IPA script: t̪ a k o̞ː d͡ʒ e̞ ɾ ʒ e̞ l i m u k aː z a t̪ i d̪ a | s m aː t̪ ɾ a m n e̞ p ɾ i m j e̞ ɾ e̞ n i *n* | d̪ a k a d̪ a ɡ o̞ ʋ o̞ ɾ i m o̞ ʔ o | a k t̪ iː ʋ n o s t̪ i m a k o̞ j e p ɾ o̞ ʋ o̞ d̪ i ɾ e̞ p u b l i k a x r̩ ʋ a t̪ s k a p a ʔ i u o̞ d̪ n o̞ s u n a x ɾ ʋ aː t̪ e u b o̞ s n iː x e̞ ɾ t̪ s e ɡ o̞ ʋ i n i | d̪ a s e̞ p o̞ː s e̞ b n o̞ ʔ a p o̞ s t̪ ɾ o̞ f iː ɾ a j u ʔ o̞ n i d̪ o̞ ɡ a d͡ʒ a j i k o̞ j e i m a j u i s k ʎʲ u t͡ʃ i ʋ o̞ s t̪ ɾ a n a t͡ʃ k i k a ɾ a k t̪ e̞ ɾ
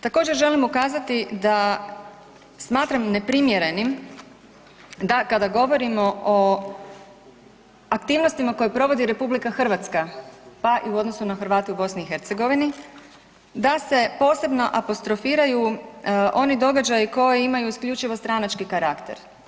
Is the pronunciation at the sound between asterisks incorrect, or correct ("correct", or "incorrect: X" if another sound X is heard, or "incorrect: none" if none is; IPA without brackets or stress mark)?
incorrect: m